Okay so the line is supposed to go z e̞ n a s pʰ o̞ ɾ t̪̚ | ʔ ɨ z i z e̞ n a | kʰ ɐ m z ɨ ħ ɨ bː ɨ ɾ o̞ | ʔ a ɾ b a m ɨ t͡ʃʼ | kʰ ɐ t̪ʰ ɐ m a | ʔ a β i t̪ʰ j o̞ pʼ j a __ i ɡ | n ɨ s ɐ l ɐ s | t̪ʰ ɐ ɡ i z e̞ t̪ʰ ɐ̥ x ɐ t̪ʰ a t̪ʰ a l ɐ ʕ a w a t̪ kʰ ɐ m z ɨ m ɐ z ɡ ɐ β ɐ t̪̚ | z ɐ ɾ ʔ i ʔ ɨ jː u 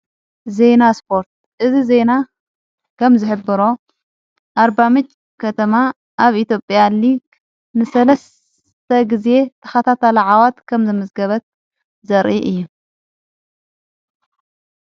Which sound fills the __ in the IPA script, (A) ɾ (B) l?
B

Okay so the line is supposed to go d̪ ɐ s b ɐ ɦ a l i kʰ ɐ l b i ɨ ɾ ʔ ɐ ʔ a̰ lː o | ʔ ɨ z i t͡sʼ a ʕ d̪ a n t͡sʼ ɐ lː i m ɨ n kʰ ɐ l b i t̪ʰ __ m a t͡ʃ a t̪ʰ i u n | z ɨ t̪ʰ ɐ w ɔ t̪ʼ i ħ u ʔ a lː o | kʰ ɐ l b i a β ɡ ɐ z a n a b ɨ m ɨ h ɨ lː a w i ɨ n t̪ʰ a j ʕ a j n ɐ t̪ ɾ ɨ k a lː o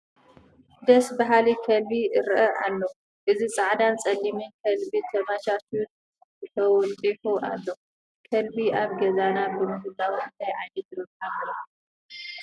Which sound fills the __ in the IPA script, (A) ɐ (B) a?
A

